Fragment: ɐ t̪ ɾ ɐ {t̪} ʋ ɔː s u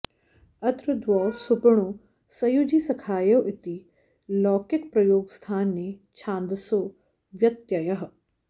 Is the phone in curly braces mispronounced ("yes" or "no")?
yes